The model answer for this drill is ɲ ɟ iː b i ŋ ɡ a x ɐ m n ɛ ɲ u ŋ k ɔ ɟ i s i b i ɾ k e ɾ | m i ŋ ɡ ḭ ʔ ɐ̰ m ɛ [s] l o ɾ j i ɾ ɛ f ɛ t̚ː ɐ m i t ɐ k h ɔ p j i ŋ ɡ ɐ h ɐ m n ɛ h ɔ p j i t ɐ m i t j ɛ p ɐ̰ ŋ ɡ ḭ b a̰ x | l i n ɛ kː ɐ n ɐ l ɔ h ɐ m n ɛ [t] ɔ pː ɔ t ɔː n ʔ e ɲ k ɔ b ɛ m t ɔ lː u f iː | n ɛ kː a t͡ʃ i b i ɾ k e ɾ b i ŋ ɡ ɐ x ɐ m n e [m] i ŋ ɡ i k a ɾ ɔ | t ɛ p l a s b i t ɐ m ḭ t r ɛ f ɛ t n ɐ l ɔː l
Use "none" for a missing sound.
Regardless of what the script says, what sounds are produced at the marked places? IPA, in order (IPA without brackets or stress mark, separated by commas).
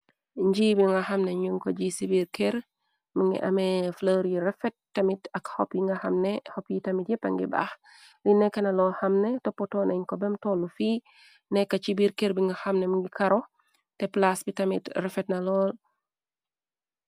f, t, m